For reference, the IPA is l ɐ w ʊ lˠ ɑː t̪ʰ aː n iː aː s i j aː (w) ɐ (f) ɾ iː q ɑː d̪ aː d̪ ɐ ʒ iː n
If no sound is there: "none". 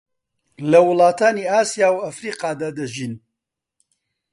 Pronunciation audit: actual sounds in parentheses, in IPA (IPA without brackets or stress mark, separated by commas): w, f